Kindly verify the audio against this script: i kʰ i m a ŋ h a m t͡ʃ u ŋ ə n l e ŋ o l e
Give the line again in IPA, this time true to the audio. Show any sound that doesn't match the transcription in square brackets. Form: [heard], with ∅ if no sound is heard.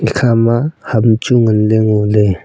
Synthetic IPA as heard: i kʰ [a] m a [∅] h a m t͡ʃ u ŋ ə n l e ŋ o l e